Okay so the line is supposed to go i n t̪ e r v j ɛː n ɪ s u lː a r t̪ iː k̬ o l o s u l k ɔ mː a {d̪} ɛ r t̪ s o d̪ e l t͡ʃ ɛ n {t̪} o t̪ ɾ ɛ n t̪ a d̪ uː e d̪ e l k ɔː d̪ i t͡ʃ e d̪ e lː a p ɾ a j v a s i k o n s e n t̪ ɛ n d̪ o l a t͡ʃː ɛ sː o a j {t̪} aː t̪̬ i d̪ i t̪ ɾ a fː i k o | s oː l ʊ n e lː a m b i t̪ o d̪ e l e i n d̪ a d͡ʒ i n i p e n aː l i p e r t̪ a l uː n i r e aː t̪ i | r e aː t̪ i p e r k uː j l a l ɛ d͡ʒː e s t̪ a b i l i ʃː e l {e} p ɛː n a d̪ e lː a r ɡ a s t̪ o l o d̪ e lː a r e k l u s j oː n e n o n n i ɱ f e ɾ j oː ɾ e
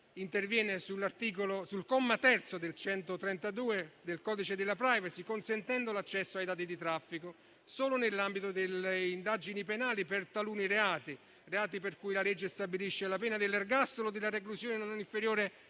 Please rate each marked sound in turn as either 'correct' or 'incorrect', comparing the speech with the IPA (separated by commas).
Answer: incorrect, correct, incorrect, incorrect